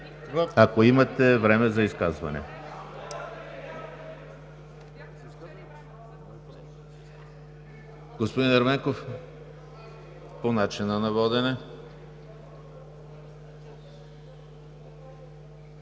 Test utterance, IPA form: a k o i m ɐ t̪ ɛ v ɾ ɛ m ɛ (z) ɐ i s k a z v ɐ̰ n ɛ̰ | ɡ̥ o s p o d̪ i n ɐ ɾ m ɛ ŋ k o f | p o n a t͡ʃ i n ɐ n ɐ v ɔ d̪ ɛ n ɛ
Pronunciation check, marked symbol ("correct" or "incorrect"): correct